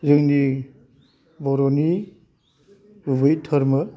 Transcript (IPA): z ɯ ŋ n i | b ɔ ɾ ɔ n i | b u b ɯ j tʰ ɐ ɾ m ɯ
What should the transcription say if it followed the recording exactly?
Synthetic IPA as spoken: z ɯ ŋ n i | b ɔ ɾ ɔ n i | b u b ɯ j tʰ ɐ ɾ m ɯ